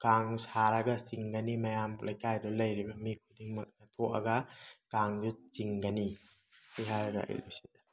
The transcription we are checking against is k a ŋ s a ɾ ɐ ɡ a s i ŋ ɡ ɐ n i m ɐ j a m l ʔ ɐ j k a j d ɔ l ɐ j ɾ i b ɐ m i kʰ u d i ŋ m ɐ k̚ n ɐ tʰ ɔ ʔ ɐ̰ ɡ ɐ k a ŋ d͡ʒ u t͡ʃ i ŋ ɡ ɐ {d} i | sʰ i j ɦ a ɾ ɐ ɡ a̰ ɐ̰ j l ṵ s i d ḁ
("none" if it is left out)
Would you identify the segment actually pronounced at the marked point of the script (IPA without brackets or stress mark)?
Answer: n